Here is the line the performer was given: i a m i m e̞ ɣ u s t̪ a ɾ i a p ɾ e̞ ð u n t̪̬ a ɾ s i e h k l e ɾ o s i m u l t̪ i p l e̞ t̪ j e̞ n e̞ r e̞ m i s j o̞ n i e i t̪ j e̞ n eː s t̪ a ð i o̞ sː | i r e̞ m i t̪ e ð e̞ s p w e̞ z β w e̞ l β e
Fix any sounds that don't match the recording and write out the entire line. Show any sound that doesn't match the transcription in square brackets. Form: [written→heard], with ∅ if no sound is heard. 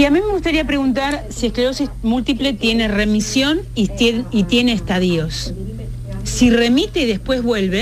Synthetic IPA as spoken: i a m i m e̞ ɣ u s t̪ a ɾ i a p ɾ e̞ [ð→ɣ] u n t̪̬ a ɾ s i e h k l e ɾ o s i m u l t̪ i p l e̞ t̪ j e̞ n e̞ r e̞ m i s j o̞ n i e i t̪ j e̞ n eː s t̪ a ð i o̞ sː | i r e̞ m i t̪ e ð e̞ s p w e̞ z β w e̞ l β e